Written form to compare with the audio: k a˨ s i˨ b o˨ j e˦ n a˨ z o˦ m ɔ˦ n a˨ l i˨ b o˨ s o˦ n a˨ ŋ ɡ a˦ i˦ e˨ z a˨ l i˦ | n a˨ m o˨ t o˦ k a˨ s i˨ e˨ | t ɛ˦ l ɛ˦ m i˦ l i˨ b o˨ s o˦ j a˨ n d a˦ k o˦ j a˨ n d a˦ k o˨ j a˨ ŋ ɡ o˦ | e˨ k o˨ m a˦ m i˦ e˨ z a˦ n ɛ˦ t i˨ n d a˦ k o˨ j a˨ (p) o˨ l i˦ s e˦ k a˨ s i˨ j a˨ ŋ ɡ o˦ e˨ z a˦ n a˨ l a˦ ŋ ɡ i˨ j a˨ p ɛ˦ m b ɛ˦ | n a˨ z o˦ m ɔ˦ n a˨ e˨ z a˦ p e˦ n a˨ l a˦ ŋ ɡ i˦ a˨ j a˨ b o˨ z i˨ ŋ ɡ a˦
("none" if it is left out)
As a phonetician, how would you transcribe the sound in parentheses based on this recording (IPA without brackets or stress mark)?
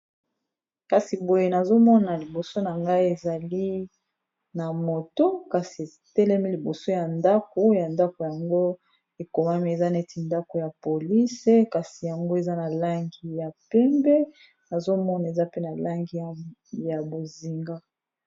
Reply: p